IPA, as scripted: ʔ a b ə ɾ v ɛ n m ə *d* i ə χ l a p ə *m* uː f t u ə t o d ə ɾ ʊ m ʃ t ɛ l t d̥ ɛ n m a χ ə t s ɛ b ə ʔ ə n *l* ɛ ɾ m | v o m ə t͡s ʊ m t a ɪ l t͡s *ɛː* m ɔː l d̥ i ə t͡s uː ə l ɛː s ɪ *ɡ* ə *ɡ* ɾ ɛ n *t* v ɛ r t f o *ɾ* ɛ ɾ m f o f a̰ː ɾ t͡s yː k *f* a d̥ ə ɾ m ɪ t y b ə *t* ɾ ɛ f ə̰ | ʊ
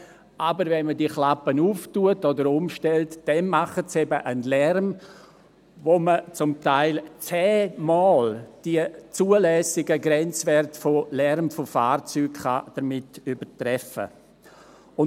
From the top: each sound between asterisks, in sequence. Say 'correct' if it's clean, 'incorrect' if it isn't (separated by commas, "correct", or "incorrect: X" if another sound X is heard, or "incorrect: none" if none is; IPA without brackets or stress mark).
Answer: correct, incorrect: n, correct, correct, correct, correct, incorrect: t͡s, incorrect: l, incorrect: χ, correct